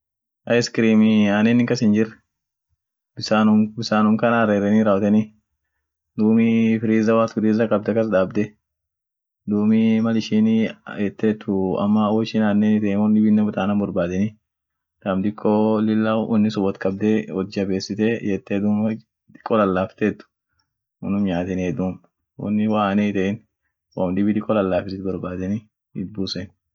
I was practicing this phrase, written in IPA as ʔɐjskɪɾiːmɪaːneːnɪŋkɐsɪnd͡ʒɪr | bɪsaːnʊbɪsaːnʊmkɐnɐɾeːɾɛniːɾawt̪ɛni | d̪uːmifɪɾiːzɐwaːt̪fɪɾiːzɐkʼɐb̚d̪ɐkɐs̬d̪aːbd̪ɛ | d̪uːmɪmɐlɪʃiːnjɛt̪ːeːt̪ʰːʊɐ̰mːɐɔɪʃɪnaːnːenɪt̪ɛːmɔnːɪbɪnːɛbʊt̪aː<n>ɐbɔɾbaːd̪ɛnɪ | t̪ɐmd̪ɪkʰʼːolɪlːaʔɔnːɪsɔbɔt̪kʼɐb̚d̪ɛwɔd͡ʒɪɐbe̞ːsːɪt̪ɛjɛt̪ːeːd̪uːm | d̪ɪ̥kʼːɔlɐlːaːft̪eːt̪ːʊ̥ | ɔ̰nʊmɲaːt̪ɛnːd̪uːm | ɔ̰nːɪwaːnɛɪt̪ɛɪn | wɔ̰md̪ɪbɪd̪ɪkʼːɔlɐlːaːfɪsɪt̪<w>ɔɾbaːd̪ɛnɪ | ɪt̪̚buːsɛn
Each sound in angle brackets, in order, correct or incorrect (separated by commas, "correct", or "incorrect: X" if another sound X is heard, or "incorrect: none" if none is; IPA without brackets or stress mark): correct, incorrect: b